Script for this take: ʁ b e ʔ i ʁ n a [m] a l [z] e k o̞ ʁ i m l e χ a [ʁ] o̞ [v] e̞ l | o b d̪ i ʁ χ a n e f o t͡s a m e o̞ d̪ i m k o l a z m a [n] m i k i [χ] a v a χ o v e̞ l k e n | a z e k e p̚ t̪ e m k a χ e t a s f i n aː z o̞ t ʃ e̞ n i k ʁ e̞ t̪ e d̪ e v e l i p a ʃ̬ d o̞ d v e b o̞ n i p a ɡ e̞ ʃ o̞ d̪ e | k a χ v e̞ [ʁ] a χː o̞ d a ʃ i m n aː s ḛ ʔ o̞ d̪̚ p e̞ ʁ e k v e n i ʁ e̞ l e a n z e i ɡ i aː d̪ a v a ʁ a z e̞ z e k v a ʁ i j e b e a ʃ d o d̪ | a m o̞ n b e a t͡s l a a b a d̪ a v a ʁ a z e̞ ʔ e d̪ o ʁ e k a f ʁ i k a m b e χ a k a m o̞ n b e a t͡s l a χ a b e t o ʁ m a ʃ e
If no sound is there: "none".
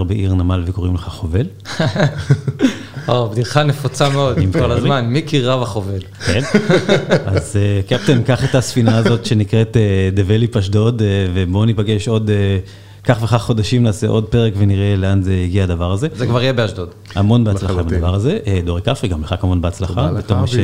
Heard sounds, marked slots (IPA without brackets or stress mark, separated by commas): m, v, χ, v, n, ʁ, χ